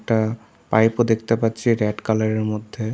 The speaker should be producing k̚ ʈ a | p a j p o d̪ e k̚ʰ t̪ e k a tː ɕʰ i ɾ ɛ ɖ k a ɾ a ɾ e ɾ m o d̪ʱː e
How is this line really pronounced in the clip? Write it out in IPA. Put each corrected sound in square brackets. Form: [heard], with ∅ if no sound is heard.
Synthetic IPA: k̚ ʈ a | p a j p o d̪ e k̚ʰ t̪ e [p] a tː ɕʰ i ɾ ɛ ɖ k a [l] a ɾ e ɾ m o d̪ʱː e